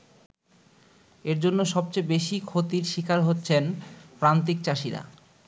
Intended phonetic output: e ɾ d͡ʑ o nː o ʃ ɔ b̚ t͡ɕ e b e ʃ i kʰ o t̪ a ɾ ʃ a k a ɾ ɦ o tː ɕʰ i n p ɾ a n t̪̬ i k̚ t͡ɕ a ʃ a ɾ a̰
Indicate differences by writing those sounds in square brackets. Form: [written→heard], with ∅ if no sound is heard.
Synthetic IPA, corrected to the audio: e ɾ d͡ʑ o nː o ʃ ɔ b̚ t͡ɕ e b e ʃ i kʰ o t̪ [a→i] ɾ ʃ [a→i] k a ɾ ɦ o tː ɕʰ [i→e] n p ɾ a n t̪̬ i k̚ t͡ɕ a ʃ [a→i] ɾ a̰